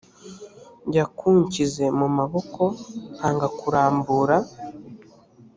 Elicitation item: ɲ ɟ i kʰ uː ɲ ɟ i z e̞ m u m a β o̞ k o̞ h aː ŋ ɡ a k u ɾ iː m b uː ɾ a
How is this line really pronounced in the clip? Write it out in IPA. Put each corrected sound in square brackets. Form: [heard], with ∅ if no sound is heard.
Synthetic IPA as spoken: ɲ ɟ [a] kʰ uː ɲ [c] i z e̞ m u m a β o̞ k o̞ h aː ŋ ɡ a k u ɾ [aː] m b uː ɾ a